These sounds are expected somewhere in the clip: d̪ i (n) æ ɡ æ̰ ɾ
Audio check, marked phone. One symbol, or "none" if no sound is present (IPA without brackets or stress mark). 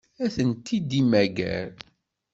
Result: m